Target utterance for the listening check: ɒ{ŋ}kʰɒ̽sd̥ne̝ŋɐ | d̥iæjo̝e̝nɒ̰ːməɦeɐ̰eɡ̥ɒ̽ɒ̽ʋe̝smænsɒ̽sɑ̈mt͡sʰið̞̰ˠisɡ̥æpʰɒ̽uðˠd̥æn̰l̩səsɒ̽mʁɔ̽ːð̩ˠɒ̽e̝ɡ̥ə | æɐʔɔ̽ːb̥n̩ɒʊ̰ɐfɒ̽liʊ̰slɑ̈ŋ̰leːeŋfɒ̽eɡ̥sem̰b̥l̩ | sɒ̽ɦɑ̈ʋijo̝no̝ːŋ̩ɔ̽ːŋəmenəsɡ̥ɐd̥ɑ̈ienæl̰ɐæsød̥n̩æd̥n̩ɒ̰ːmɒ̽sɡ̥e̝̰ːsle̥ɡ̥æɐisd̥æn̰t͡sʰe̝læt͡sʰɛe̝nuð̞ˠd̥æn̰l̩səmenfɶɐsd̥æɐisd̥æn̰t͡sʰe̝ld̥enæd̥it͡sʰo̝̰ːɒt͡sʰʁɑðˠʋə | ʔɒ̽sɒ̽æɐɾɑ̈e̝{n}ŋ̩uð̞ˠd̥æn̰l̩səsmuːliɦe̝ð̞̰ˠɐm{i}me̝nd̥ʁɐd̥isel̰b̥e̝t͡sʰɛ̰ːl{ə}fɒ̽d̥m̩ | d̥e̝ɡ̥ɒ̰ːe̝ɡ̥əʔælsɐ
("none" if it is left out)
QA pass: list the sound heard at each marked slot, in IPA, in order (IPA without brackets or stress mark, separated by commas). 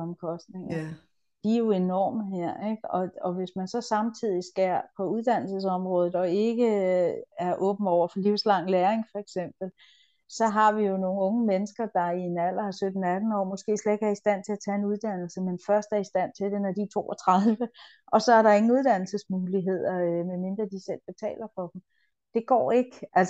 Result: m, ŋ, e, ɐ